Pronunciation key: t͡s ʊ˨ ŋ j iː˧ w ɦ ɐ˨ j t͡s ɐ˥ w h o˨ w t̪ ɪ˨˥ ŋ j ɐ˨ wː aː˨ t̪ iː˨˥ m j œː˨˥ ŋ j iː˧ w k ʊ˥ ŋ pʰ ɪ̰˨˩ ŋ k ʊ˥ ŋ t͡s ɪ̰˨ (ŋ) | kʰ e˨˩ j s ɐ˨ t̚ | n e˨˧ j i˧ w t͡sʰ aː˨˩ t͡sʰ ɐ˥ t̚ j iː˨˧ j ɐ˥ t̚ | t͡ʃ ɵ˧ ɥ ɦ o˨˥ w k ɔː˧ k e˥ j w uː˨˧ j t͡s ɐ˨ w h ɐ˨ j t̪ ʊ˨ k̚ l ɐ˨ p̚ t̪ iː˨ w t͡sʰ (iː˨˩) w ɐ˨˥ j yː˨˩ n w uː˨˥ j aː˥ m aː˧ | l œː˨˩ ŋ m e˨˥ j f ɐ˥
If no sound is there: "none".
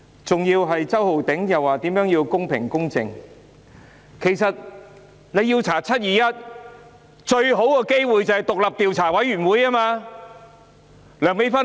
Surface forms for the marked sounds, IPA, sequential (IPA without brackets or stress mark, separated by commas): ŋ, aː˨˩